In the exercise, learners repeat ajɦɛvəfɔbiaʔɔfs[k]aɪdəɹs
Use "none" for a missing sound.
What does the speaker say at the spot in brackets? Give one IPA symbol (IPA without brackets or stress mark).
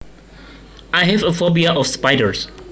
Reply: p